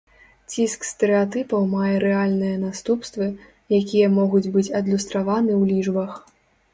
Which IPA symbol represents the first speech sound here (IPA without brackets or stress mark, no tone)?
t͡sʲ